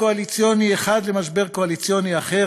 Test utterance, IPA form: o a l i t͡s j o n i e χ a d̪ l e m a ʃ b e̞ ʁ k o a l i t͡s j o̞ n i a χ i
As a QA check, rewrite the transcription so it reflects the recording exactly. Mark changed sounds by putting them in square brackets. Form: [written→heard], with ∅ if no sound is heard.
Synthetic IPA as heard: o a l i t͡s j o n i e χ a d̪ l e m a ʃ b e̞ ʁ k o a l i t͡s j o̞ n i a χ [i→e]